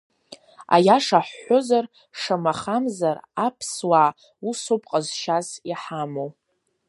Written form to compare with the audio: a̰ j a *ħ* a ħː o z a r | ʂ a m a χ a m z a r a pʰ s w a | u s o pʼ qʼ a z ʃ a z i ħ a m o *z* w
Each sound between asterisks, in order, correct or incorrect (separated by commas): incorrect, incorrect